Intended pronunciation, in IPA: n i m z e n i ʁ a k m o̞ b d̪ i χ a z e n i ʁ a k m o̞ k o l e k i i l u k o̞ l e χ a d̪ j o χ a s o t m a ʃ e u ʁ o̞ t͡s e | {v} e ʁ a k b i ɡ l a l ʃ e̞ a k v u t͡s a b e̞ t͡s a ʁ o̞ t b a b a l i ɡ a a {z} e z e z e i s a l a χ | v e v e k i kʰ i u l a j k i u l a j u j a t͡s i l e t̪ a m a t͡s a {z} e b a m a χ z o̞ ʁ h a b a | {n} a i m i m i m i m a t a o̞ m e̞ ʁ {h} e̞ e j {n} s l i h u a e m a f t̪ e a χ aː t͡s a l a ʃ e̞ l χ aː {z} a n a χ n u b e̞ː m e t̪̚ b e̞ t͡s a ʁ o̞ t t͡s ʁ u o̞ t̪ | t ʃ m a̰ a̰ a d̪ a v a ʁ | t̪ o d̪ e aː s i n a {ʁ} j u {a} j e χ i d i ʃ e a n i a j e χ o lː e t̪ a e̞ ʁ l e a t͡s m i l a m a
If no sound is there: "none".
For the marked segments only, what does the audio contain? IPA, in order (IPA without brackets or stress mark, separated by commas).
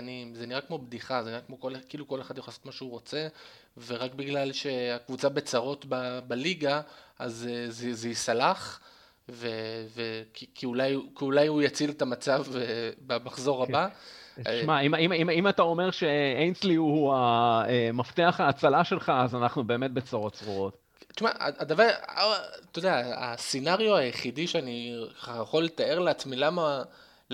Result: v, z, v, m, ʃ, n, z, ʁ, a